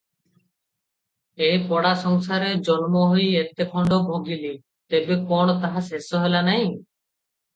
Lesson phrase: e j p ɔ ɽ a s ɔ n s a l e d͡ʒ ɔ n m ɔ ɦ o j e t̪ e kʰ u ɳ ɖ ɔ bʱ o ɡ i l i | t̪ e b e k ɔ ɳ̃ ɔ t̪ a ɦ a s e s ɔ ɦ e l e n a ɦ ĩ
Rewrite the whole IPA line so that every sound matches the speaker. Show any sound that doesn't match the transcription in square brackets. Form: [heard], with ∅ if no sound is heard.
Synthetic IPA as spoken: e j p ɔ ɽ a s ɔ [ŋ] s a [ɾ] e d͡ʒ ɔ n m ɔ ɦ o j e t̪ e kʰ [ɔ] ɳ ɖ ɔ bʱ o ɡ i l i | t̪ e b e k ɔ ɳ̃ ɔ t̪ a ɦ a s e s ɔ ɦ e l [a] n a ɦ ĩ